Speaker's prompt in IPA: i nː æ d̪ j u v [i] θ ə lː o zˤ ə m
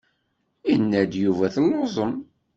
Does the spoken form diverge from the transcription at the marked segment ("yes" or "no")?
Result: yes